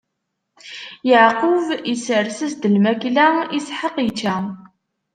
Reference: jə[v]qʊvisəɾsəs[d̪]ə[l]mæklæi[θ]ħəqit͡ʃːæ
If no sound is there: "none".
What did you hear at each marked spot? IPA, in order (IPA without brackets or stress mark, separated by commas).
ʕ, d̪, l, s